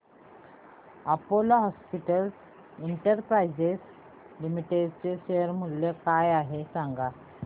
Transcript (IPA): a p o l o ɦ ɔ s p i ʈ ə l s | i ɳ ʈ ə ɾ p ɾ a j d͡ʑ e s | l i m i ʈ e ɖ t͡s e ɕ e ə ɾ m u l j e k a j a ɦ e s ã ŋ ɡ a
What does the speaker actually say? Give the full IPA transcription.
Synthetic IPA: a p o l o ɦ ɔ s p i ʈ ə l s | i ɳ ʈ ə ɾ p ɾ a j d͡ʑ e s | l i m i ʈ e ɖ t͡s e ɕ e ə ɾ m u l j e k a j a ɦ e s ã ŋ ɡ a